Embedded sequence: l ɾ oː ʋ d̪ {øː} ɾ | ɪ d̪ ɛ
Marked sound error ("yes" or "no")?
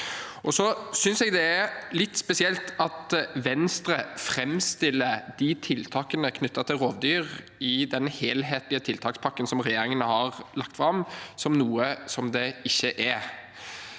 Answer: yes